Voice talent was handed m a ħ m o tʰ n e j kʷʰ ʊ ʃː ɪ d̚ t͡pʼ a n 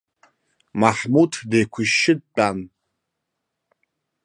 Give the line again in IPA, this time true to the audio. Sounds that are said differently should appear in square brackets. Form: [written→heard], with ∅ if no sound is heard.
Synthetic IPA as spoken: m a ħ m [o→u] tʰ [n→d] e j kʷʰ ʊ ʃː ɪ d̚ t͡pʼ a n